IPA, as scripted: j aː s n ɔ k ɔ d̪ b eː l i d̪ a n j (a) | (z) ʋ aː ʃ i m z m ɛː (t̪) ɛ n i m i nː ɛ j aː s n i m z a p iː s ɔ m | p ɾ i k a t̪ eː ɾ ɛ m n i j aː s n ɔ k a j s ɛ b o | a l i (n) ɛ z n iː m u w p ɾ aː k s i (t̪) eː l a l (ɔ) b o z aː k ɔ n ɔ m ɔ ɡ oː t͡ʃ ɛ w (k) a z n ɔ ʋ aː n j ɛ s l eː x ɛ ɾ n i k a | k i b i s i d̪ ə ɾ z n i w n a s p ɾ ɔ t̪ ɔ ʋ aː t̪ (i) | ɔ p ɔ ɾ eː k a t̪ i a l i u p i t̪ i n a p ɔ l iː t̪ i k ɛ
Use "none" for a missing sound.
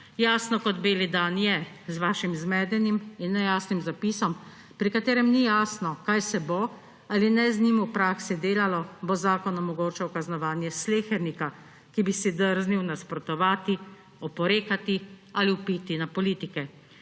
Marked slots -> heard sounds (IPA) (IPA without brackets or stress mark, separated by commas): ɛ, z, d̪, n, d̪, ɔ, k, i